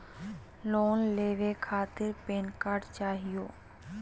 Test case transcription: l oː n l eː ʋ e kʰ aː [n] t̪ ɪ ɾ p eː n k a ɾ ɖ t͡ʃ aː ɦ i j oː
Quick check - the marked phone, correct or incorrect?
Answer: incorrect: none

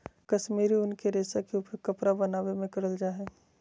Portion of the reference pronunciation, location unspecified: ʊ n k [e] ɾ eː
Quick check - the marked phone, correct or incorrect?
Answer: correct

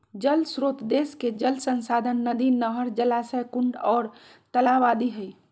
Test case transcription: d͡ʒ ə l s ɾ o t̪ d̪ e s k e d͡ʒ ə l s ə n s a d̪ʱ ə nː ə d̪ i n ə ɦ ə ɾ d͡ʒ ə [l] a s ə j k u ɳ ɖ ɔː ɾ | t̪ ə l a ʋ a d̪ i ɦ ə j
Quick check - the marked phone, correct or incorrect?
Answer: correct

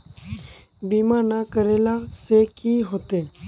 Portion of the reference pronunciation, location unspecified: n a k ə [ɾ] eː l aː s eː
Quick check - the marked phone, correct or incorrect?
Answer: correct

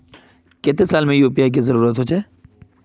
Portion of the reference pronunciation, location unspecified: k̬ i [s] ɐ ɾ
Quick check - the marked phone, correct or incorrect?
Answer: incorrect: z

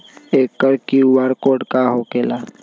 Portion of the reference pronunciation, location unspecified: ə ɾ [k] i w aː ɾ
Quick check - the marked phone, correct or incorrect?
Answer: correct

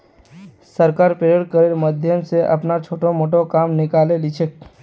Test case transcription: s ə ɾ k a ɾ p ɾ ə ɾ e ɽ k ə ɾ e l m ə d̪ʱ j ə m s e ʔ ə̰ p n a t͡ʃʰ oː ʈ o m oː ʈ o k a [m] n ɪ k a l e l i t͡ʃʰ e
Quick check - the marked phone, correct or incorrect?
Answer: correct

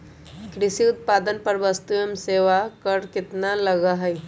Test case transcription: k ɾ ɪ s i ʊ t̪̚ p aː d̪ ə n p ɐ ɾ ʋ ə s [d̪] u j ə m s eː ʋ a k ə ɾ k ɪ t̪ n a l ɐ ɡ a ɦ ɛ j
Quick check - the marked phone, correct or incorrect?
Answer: incorrect: t̪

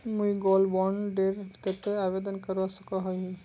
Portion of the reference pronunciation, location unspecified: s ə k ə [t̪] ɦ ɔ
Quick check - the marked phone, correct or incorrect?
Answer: incorrect: none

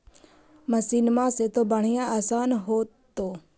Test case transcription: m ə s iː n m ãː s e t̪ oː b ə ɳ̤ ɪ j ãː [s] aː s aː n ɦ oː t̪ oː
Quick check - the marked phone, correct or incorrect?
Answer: incorrect: none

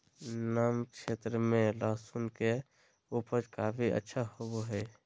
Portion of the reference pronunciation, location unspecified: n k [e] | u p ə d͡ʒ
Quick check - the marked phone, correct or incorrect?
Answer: correct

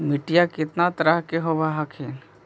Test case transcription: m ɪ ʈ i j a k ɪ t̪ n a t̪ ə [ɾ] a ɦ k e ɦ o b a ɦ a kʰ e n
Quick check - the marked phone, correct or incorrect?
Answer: correct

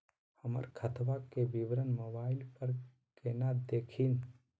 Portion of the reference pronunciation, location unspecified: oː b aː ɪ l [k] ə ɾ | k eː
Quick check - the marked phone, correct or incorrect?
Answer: incorrect: p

